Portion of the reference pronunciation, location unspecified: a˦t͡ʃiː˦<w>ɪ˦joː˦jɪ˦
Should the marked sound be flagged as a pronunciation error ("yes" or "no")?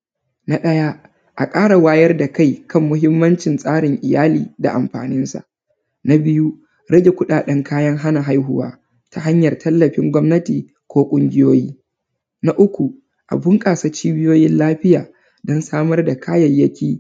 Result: yes